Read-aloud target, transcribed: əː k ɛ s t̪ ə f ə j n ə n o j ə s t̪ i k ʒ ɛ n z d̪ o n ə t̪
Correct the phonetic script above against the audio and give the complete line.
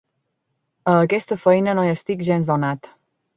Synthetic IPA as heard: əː k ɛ s t̪ ə f ə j n ə n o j ə s t̪ i k ʒ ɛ n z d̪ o n a t̪